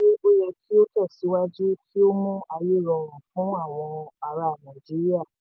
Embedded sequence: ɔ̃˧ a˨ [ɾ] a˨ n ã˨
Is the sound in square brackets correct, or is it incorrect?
correct